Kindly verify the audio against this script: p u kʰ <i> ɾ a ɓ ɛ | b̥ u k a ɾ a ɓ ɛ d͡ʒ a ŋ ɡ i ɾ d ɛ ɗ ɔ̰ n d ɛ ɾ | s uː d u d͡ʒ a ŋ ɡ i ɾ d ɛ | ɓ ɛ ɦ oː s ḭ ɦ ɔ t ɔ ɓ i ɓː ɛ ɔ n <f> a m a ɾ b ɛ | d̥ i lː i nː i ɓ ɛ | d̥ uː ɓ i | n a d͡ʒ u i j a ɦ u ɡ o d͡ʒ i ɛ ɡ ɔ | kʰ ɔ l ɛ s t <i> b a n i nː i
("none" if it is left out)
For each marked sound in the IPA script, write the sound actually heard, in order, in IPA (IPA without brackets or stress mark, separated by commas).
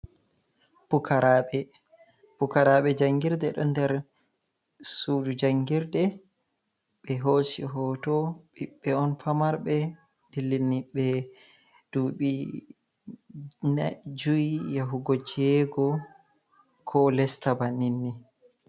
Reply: a, f, a